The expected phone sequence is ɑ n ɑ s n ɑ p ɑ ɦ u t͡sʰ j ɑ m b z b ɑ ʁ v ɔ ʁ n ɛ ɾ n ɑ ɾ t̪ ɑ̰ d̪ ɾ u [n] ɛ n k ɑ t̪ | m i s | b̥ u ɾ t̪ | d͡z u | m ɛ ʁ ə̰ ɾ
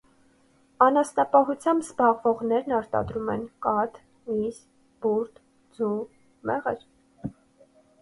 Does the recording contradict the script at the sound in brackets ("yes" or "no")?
yes